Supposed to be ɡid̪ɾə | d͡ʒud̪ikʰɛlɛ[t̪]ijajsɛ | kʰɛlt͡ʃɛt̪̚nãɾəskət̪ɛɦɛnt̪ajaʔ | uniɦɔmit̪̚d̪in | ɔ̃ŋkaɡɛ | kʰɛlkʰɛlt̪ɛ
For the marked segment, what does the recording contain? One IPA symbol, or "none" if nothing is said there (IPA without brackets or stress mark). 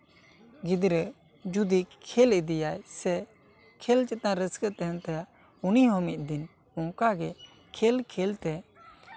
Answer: d̪